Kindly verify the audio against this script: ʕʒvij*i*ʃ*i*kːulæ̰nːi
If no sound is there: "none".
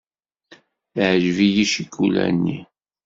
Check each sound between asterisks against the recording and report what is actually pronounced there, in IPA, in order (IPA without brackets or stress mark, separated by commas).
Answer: i, i